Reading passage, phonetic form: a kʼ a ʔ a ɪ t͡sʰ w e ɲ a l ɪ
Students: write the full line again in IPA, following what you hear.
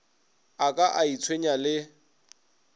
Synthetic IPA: a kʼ a ʔ a i t͡sʰ w e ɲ a l ɪ